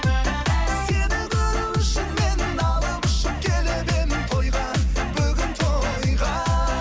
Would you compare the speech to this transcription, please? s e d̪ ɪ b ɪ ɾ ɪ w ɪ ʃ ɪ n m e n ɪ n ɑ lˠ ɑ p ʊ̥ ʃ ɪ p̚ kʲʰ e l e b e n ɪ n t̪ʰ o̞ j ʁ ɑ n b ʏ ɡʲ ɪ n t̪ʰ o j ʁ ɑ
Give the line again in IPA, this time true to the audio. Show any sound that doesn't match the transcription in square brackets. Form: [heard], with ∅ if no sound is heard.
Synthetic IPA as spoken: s e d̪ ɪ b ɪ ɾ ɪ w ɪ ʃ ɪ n m e n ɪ n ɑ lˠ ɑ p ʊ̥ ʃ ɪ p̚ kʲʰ e l e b e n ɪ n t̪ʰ o̞ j ʁ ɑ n b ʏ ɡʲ ɪ n t̪ʰ o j ʁ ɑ